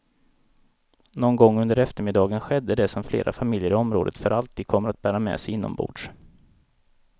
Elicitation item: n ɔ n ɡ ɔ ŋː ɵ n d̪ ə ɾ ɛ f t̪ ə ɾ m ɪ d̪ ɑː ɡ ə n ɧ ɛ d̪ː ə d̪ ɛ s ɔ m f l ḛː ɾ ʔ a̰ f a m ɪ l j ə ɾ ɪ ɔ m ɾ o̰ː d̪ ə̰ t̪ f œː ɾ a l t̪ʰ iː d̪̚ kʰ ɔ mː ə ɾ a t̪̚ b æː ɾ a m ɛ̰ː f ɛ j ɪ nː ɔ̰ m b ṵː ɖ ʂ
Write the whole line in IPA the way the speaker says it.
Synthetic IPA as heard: n ɔ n ɡ ɔ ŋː ɵ n d̪ ə ɾ ɛ f t̪ ə ɾ m ɪ d̪ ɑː ɡ ə n ɧ ɛ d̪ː ə d̪ ɛ s ɔ m f l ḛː ɾ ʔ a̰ f a m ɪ l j ə ɾ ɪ ɔ m ɾ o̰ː d̪ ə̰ t̪ f œ ɾ a l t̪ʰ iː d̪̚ kʰ ɔ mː ə ɾ a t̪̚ b æː ɾ a m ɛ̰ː s ɛ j ɪ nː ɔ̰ m b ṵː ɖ ʂ